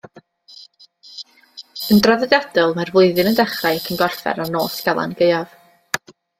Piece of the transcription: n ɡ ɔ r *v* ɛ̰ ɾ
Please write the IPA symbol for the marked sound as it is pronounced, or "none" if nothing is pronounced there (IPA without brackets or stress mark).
f